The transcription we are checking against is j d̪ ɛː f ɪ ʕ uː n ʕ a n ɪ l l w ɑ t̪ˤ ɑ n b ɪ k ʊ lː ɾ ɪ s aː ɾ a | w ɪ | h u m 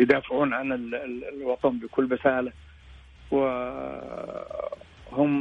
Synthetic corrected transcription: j d̪ aː f ɪ ʕ uː n ʕ a n ɪ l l w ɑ t̪ˤ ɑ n b ɪ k ʊ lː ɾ ɪ s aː l a | w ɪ | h ʊ m